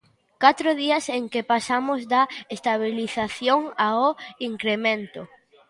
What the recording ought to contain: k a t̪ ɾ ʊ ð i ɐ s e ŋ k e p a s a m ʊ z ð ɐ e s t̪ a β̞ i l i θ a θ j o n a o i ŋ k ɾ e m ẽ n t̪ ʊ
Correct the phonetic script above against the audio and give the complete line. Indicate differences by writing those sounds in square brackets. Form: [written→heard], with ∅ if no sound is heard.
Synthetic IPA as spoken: k a t̪ ɾ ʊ ð i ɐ s e ŋ k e p a s a m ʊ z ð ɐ e s t̪ a β̞ i l i θ a θ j o [n→ŋ] a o i ŋ k ɾ e m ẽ n t̪ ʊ